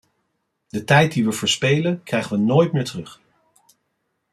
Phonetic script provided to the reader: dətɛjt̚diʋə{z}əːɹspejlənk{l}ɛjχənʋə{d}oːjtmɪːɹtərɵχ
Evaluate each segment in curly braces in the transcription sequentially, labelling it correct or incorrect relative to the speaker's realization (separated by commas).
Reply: incorrect, incorrect, incorrect